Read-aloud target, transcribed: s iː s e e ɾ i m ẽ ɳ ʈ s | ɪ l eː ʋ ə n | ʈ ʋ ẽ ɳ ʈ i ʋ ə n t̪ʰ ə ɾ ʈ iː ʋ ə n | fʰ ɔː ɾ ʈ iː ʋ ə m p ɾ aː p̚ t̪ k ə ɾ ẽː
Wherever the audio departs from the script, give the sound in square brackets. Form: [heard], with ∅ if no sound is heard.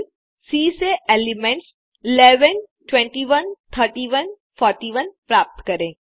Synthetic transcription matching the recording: s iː s e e [l] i m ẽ ɳ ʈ s | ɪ l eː ʋ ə n | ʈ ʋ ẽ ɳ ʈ i ʋ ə n t̪ʰ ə ɾ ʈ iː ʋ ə n | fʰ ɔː ɾ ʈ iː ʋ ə [n] p ɾ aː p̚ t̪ k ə ɾ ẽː